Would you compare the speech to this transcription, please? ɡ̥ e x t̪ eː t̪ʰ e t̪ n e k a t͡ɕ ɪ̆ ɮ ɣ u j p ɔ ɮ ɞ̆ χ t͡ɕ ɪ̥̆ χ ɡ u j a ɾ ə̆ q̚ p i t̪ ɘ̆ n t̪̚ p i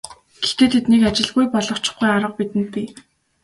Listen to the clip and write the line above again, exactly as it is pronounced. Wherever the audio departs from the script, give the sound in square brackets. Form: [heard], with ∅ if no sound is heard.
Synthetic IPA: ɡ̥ e x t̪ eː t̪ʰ e t̪ n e k a t͡ɕ ɪ̆ ɮ ɣ u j p ɔ ɮ ɞ̆ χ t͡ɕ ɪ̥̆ χ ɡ u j a ɾ ə̆ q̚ p i t̪ ɘ̆ n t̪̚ p i